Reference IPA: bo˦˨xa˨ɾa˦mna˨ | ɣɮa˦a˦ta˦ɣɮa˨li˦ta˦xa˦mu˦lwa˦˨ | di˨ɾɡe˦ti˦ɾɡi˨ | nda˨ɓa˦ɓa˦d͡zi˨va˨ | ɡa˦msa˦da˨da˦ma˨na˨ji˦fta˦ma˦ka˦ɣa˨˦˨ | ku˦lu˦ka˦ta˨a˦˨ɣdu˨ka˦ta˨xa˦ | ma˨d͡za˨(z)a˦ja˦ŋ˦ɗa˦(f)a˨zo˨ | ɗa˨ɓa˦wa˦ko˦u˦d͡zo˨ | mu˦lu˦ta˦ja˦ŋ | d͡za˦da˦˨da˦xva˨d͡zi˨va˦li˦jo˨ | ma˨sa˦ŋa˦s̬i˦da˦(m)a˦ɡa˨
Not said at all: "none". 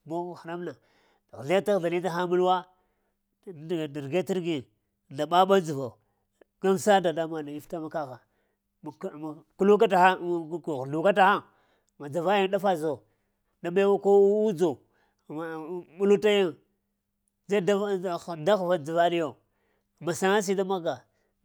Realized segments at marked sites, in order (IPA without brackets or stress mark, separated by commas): v, f, m